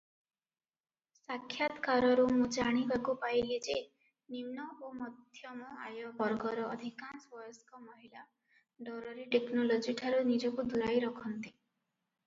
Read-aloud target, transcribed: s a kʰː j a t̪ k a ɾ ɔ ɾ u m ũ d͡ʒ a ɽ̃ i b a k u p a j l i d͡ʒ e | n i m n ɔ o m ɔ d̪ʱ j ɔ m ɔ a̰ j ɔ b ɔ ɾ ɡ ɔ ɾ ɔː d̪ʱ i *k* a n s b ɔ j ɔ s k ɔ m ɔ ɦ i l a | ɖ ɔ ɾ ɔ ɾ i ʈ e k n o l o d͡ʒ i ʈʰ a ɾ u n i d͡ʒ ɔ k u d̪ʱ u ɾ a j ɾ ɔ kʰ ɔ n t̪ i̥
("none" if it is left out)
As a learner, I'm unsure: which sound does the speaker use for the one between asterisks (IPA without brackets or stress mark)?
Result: k